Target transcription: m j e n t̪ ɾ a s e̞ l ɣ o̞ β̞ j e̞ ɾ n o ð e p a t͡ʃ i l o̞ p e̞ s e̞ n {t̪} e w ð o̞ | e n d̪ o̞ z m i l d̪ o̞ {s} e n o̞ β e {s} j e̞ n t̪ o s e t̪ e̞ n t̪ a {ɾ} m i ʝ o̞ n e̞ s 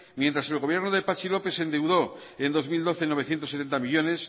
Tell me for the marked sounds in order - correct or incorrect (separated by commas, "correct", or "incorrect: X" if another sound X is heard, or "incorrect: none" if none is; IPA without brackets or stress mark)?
incorrect: d̪, incorrect: θ, incorrect: θ, incorrect: none